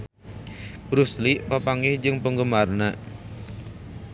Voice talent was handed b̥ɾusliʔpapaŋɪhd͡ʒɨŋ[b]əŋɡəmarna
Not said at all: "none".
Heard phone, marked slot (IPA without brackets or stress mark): p